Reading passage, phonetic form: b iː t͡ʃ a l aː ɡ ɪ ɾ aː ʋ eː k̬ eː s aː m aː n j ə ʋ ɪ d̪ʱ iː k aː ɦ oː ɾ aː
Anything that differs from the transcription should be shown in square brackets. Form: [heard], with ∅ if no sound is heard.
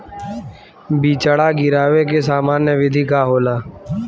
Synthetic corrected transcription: b iː t͡ʃ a [ɽ] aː ɡ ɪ ɾ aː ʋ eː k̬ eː s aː m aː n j ə ʋ ɪ d̪ʱ iː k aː ɦ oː [l] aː